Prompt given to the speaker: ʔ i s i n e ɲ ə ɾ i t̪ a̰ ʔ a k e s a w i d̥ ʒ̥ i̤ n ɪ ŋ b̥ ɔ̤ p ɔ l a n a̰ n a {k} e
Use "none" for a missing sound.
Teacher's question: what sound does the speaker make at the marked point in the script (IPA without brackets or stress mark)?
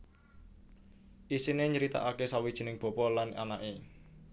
ʔ